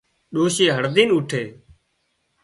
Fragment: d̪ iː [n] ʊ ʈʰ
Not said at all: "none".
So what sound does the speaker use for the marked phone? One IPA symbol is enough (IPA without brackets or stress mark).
n